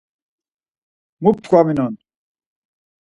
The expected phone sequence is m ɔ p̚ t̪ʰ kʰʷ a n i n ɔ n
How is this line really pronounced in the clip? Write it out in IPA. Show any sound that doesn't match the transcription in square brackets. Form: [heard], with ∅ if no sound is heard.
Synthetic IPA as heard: m [u] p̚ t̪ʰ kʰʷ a [m] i n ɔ n